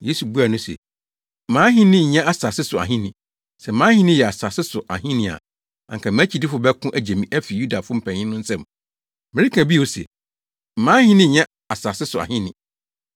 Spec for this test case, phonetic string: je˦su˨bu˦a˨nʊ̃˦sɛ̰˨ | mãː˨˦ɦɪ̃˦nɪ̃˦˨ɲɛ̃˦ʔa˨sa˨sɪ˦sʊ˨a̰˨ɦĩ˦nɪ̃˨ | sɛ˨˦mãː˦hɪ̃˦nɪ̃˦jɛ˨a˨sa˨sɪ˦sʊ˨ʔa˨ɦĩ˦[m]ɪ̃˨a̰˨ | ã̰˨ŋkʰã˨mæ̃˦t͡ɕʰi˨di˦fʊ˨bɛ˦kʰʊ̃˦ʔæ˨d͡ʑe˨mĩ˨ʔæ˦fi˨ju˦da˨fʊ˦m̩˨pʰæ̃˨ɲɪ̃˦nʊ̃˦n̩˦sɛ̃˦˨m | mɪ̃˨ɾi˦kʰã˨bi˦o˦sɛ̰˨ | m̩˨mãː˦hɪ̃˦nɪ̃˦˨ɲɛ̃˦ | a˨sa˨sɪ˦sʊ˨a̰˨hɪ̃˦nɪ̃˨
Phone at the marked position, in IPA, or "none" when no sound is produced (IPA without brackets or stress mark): n